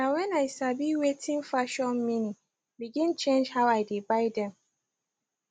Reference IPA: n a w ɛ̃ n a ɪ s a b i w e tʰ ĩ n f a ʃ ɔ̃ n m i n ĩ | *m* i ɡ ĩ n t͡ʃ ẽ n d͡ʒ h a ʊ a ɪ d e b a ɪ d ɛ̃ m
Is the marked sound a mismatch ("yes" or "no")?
yes